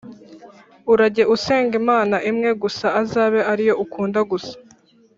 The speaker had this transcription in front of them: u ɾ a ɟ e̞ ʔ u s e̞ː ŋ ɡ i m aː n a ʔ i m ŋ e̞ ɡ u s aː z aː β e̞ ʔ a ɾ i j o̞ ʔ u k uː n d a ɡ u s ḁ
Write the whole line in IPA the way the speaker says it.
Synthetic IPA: u ɾ a ɟ e̞ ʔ u s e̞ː ŋ ɡ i m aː n a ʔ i m ŋ e̞ ɡ u s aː z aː β e̞ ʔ a ɾ i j o̞ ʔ u k uː n d a ɡ u s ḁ